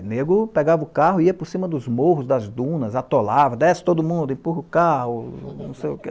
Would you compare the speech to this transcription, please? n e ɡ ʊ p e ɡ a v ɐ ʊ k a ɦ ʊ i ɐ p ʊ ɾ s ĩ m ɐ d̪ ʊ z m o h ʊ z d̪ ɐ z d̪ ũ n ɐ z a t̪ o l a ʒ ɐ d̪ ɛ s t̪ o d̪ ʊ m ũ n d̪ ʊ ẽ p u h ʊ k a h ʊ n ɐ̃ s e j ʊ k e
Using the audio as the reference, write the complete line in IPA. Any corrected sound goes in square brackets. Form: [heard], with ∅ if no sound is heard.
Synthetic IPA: n e ɡ ʊ p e ɡ a v ɐ ʊ k a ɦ ʊ i ɐ p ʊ ɾ s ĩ m ɐ d̪ ʊ z m o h ʊ z d̪ ɐ z d̪ ũ n ɐ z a t̪ o l a [v] ɐ d̪ ɛ s t̪ o d̪ ʊ m ũ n d̪ ʊ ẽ p u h ʊ k a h ʊ n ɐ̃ s e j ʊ k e